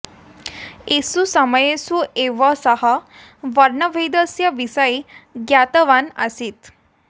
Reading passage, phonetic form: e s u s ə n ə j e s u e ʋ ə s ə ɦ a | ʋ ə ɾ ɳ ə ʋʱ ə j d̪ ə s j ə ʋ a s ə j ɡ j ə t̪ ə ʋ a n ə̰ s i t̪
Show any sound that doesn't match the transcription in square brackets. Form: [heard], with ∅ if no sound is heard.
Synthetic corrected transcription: e s u s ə [m] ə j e s u e ʋ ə s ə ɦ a | ʋ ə ɾ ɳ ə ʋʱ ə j d̪ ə s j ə ʋ [i] s ə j ɡ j [a] t̪ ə ʋ a n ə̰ s i t̪